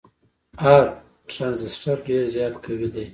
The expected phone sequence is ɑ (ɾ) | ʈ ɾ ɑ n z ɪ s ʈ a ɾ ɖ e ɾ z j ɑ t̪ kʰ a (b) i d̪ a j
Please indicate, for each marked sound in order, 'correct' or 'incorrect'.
correct, incorrect: w

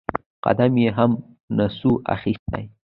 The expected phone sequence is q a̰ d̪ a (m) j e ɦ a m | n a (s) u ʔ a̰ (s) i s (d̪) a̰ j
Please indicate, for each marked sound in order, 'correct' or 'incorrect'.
correct, correct, incorrect: x, incorrect: t̪

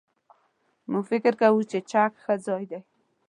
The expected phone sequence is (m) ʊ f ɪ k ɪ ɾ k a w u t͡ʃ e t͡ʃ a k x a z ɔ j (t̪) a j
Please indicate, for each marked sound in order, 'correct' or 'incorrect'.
correct, incorrect: d̪

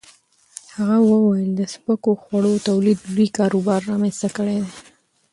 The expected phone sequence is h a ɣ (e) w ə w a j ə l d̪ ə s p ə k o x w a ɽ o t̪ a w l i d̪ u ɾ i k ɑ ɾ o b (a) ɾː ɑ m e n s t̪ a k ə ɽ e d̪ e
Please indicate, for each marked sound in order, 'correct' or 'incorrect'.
incorrect: a, incorrect: ɑ

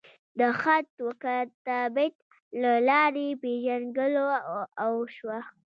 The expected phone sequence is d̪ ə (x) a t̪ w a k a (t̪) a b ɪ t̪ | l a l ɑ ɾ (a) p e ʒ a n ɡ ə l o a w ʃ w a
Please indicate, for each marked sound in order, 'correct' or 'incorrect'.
correct, correct, incorrect: e

